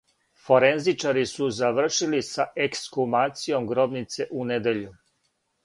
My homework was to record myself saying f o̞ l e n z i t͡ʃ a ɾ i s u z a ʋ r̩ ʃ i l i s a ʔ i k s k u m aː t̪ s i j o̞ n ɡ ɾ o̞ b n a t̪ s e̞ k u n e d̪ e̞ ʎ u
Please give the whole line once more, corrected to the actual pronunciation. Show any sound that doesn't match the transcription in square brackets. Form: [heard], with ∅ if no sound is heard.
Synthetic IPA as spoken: f o̞ [ɾ] e n z i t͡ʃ a ɾ i s u z a ʋ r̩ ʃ i l i s a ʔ [e] k s k u m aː t̪ s i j o̞ [m] ɡ ɾ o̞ b n [i] t̪ s e̞ [ʔ] u n e d̪ e̞ ʎ u